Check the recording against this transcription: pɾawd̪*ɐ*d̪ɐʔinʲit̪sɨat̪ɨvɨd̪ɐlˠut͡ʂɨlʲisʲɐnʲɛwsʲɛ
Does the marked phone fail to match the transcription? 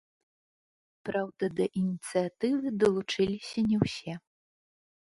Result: no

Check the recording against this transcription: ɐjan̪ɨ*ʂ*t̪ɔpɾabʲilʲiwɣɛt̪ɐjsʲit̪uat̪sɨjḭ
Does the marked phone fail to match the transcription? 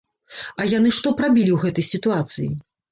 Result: no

